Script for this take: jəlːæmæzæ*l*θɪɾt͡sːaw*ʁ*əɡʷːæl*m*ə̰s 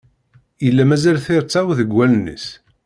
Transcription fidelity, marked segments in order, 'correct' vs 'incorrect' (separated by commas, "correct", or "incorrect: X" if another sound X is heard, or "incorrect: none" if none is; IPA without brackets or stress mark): correct, incorrect: ð, incorrect: n